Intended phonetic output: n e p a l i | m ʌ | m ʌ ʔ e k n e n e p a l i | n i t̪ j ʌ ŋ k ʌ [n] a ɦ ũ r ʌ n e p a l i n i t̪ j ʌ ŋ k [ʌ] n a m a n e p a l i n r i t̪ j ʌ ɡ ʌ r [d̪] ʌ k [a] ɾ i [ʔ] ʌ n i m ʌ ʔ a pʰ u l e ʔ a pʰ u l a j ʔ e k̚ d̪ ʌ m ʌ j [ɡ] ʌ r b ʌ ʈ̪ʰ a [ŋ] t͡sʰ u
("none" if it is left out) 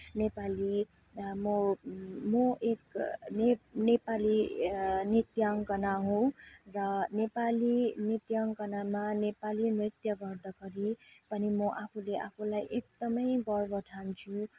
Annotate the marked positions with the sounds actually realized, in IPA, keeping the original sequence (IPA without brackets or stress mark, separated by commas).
n, ʌ, d̪, ʌ, p, b, n